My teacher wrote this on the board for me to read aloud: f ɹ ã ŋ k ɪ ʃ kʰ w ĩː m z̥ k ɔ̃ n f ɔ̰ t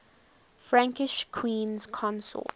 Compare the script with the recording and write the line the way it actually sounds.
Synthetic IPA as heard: f ɹ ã ŋ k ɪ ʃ kʰ w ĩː n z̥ kʰ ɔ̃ n s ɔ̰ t